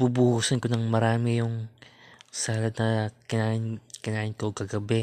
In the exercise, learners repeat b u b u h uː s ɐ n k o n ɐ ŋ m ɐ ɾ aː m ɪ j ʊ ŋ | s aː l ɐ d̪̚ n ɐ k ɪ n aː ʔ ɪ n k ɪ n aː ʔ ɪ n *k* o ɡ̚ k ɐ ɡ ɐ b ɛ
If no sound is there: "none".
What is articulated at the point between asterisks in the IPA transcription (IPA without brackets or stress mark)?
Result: k